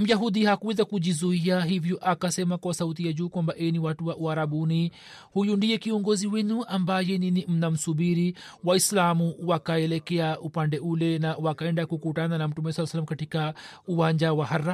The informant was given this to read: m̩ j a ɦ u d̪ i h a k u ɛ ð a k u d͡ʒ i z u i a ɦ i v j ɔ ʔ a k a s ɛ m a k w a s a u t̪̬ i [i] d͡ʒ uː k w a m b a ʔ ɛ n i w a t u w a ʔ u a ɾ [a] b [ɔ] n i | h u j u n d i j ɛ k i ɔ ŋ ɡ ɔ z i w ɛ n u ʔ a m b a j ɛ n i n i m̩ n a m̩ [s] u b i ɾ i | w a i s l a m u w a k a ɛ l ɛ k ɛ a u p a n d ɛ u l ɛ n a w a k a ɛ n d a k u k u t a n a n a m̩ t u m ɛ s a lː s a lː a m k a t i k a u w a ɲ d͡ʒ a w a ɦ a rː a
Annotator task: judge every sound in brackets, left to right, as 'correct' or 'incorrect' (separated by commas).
incorrect, correct, incorrect, correct